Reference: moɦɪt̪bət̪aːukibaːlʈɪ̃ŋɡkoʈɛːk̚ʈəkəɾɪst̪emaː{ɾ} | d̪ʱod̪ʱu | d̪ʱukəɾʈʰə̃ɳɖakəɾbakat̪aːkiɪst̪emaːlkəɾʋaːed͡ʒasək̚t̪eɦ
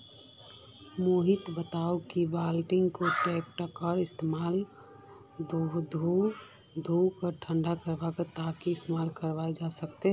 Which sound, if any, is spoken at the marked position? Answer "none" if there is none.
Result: l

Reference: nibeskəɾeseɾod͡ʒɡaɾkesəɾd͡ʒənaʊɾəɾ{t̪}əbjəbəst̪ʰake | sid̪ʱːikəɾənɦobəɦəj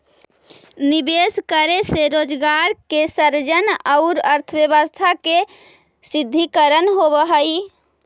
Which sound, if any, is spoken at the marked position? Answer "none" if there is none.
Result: t̪ʰ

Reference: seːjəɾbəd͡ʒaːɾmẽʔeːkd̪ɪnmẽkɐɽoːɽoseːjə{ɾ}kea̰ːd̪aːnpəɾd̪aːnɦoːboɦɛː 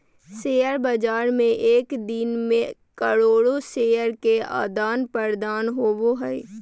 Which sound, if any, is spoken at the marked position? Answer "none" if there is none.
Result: ɾ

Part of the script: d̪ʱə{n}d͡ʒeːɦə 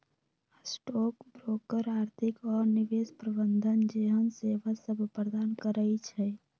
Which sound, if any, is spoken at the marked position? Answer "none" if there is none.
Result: n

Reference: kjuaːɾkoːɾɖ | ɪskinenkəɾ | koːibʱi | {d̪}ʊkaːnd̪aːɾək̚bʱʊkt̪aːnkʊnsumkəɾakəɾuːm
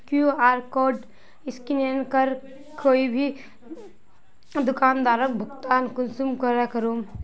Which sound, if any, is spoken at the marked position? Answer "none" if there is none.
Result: d̪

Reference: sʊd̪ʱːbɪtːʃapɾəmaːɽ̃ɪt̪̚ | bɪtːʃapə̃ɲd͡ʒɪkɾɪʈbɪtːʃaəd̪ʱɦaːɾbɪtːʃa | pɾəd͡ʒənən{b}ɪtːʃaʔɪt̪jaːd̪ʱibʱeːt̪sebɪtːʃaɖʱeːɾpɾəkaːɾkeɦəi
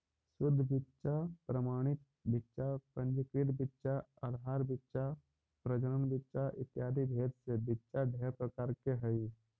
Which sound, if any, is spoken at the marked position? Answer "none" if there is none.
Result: b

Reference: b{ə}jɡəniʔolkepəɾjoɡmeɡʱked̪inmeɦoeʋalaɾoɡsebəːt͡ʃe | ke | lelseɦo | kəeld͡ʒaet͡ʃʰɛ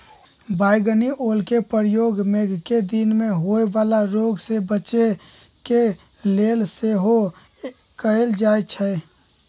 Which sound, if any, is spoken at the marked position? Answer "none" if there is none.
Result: a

